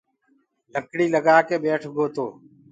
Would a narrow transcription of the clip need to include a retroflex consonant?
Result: yes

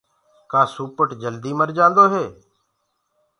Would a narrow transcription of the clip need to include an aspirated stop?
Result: no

